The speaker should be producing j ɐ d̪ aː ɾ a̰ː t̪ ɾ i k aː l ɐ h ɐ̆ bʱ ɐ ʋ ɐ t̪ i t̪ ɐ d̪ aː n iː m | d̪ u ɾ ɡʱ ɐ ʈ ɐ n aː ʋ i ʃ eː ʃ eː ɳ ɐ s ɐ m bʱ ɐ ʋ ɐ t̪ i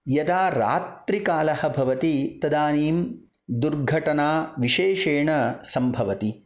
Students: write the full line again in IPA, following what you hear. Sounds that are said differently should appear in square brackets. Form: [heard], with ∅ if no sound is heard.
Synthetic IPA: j ɐ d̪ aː ɾ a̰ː t̪ ɾ i k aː l ɐ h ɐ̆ bʱ ɐ ʋ ɐ t̪ i t̪ ɐ d̪ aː n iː m | d̪ u ɾ ɡʱ ɐ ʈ ɐ n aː ʋ i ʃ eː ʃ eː ɳ ɐ s ɐ m bʱ ɐ ʋ ɐ t̪ i